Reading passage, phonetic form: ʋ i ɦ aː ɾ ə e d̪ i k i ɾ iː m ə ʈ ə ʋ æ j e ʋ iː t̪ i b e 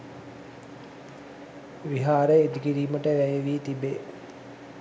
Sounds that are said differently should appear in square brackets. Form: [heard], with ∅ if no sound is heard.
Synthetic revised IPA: ʋ i ɦ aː ɾ ə e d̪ i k i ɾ iː m ə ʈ ə ʋ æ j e ʋ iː t̪ i b e